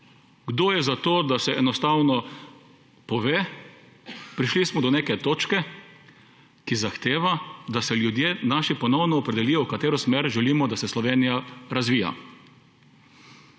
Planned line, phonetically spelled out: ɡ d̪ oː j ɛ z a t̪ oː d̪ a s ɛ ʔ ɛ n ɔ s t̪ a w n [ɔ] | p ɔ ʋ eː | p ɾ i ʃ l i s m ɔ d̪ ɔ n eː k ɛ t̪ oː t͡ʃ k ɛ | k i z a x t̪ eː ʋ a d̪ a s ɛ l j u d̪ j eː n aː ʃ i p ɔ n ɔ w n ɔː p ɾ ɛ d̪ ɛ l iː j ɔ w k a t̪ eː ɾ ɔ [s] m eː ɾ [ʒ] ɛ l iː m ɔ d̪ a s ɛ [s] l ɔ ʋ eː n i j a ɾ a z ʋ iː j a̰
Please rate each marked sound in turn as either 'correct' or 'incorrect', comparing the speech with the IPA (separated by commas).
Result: correct, correct, correct, correct